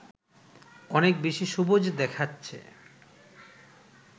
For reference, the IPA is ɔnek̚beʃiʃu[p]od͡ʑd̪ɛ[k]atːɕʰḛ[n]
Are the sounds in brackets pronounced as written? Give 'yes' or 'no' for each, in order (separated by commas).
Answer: no, no, no